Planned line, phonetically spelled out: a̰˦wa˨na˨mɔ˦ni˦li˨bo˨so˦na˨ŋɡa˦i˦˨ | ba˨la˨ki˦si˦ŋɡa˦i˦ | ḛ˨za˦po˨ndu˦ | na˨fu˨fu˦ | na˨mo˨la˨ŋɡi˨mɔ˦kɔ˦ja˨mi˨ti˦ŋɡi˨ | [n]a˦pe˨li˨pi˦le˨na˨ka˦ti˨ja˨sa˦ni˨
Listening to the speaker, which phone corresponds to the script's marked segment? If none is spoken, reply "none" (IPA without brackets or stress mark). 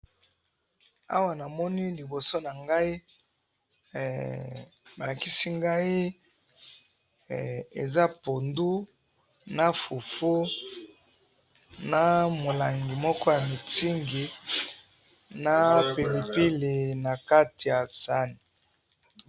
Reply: n